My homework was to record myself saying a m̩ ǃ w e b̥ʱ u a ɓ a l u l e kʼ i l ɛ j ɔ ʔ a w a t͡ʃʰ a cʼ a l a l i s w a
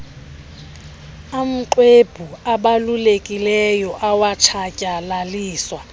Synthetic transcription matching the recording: a m̩ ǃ w e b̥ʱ u a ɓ a l u l e kʼ i l ɛ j ɔ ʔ a w a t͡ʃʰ a cʼ a l a l iː s w a